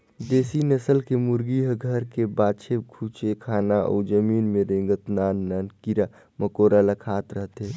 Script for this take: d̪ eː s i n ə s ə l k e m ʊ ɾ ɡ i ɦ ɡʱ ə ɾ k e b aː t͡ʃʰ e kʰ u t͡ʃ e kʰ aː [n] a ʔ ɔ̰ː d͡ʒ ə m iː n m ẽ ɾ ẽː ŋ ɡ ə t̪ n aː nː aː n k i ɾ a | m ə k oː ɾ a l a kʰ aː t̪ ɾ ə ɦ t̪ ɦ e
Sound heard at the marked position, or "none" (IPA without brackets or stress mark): n